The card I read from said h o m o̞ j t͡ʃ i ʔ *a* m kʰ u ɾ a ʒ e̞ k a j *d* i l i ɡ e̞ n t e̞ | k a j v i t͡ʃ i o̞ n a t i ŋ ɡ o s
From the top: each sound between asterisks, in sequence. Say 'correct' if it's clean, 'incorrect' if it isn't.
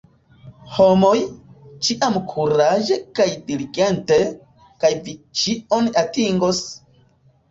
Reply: correct, correct

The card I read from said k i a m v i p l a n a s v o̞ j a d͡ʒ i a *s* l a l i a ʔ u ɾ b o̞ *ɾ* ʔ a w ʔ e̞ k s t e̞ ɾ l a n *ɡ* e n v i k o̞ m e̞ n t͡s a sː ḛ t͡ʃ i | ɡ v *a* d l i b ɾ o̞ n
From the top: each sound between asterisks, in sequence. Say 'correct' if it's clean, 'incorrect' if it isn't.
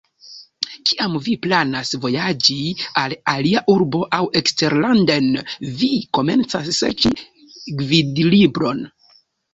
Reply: incorrect: none, incorrect: none, incorrect: d, incorrect: i

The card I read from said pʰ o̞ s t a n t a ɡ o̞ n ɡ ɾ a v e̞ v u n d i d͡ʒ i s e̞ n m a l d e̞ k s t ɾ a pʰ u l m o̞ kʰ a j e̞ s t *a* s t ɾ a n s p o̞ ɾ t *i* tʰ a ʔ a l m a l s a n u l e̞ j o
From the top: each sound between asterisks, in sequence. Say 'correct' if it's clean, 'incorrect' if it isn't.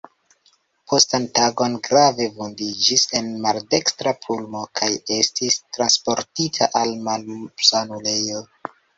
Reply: incorrect: i, correct

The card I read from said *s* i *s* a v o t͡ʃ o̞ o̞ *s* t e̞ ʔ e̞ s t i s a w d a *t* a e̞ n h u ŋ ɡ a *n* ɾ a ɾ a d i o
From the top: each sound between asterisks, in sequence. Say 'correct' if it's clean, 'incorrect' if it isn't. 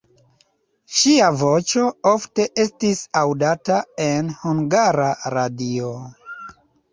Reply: incorrect: ʃ, incorrect: none, incorrect: f, correct, incorrect: none

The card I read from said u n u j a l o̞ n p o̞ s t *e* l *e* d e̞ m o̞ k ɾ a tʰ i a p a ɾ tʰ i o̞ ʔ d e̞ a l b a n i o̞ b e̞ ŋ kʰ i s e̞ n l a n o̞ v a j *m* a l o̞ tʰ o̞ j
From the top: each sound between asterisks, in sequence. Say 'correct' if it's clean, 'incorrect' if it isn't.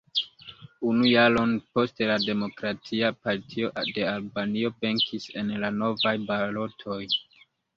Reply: correct, incorrect: a, incorrect: b

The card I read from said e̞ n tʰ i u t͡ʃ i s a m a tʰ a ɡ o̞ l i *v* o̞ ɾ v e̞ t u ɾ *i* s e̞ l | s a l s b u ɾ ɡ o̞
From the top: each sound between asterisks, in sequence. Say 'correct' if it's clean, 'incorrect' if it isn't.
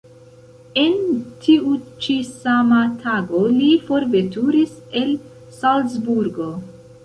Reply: incorrect: f, correct

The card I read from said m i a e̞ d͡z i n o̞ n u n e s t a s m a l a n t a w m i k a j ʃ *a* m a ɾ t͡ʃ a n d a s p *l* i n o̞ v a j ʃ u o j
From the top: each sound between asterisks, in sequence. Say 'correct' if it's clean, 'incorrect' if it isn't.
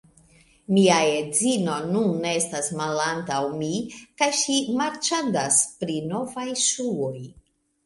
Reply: incorrect: i, incorrect: ɾ

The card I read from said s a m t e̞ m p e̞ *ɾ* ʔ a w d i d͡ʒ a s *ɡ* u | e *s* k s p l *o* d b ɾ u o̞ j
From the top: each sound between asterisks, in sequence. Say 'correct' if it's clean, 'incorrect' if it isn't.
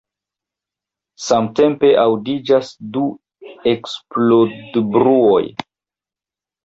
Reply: incorrect: none, incorrect: d, incorrect: none, correct

